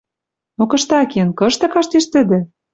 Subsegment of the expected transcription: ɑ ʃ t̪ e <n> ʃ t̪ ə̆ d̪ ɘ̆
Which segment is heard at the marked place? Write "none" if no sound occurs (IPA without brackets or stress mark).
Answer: none